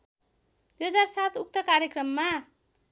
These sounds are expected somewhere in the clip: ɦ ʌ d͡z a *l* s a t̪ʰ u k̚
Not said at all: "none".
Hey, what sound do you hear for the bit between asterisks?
r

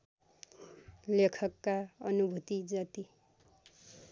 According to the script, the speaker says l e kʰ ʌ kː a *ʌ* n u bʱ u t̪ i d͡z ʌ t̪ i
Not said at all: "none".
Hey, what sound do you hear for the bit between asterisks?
ʌ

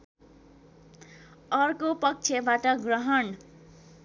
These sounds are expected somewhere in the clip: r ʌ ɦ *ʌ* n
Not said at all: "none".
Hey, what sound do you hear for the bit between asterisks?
ʌ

